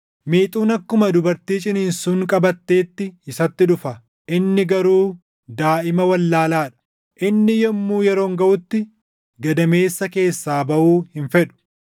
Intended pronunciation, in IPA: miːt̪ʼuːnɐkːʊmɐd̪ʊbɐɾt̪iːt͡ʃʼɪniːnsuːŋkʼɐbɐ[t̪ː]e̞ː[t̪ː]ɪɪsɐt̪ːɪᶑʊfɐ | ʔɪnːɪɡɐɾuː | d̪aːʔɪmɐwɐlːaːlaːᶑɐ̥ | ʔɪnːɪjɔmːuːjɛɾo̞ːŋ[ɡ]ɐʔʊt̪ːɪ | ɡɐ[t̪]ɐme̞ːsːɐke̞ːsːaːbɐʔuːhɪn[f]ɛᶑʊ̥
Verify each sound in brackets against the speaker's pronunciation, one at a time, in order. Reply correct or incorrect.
correct, correct, correct, incorrect, correct

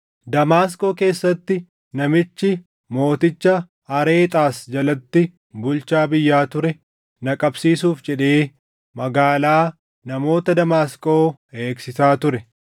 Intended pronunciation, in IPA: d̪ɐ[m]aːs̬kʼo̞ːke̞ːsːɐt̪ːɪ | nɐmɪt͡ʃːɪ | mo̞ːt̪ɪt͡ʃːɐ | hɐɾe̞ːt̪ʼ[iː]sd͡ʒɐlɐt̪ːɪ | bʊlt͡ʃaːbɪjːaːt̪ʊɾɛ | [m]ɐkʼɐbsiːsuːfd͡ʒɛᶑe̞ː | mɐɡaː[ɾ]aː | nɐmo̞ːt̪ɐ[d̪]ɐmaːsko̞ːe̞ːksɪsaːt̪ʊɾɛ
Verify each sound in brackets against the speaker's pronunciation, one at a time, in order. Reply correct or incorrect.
correct, incorrect, incorrect, incorrect, correct

